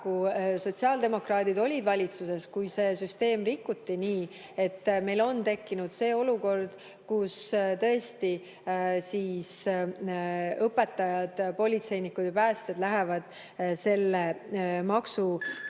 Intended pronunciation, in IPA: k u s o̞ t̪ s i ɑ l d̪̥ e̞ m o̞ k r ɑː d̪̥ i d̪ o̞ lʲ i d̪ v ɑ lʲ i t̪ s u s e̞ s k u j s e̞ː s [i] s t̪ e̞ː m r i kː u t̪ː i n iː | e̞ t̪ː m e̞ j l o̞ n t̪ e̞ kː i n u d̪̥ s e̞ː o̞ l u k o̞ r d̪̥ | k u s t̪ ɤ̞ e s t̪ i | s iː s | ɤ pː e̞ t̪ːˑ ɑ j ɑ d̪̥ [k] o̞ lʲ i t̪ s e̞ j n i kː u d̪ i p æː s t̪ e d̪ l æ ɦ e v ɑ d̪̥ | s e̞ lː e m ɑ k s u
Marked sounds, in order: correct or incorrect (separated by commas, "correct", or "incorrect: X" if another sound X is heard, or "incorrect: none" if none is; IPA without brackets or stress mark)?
incorrect: y, incorrect: p